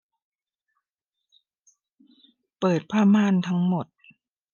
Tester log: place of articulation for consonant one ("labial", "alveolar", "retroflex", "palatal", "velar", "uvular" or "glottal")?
labial